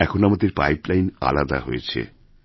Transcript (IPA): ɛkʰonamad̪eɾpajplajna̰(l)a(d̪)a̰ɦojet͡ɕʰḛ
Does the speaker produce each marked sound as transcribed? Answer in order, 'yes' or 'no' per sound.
yes, yes

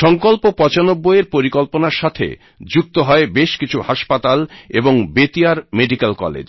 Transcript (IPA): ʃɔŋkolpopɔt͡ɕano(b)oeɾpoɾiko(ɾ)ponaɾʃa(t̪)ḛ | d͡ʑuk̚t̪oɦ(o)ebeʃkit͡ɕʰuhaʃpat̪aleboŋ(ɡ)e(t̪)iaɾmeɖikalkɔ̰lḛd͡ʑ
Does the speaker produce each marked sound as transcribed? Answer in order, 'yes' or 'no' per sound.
no, no, no, no, no, yes

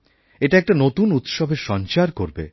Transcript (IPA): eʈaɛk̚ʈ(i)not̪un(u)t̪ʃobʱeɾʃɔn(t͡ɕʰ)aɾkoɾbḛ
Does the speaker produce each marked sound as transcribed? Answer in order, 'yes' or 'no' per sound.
no, yes, no

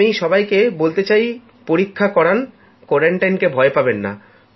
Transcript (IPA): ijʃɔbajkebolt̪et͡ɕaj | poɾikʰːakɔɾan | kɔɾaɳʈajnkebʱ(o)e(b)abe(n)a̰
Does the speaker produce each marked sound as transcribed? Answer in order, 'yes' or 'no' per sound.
no, no, no

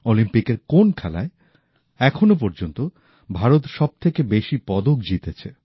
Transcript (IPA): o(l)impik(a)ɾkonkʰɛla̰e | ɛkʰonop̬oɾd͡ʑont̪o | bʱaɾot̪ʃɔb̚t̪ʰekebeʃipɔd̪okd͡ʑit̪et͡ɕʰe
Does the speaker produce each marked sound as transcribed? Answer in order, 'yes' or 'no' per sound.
yes, no

